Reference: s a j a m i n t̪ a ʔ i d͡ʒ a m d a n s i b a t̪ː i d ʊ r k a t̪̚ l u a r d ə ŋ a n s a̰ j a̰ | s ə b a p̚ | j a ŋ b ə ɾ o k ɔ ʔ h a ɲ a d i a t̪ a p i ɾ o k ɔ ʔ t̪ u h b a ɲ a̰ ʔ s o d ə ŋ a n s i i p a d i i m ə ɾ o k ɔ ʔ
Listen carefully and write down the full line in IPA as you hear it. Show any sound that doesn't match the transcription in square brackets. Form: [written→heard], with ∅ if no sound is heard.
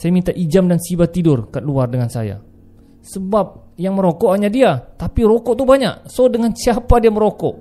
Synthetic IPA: s a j a m i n t̪ a ʔ i d͡ʒ a m d a n s i b a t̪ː i d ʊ r k a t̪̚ l u a r d ə ŋ a n s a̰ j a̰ | s ə b a p̚ | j a ŋ [b→m] ə ɾ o k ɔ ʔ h a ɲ a d i a t̪ a p i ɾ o k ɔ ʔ t̪ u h b a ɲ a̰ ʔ s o d ə ŋ a n s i [i→a] p a d i [i→a] m ə ɾ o k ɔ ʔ